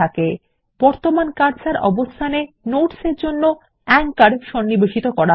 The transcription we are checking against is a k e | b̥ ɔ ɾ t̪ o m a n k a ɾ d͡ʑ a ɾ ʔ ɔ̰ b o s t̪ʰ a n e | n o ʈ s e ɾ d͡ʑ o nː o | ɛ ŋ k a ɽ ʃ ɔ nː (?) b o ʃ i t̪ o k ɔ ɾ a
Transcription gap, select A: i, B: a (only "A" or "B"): A